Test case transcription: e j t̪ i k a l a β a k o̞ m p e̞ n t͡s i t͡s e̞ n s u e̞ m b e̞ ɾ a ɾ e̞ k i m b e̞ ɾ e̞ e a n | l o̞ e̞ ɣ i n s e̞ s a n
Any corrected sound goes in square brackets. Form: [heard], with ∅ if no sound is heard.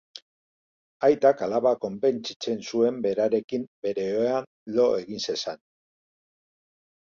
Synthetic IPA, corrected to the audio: [a] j t̪ [a] k a l a β a k o̞ m p e̞ n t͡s i t͡s e̞ n s u e̞ m b e̞ ɾ a ɾ e̞ k i m b e̞ ɾ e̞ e a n | l o̞ e̞ ɣ i n s e̞ s a n